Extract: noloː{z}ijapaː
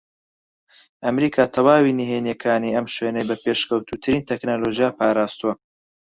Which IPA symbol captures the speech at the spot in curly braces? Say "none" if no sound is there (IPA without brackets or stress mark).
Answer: ʒ